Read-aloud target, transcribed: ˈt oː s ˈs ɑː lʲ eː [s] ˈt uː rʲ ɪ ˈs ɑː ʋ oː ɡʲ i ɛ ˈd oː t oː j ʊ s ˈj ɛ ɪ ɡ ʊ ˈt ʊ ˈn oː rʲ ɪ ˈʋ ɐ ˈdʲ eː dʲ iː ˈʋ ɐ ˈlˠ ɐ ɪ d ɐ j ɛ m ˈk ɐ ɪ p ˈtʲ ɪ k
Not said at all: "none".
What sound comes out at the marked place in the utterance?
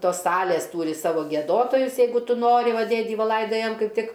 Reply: s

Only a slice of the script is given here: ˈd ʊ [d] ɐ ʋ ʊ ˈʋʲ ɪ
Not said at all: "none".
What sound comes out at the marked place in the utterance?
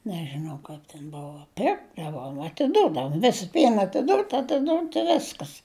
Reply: d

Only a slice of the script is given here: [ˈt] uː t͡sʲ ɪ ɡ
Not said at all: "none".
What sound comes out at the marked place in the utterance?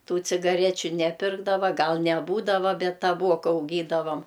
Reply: t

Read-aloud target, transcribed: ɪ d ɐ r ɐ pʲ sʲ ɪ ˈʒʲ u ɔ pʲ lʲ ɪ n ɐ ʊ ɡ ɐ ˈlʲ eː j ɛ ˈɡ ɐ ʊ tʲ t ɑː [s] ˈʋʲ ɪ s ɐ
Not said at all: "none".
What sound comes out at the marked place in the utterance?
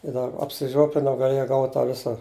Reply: none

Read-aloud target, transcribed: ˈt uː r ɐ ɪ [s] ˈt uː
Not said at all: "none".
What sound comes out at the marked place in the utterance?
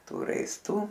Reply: s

